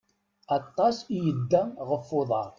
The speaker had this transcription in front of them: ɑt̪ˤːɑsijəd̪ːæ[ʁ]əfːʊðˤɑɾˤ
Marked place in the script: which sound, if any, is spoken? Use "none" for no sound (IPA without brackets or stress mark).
ʁ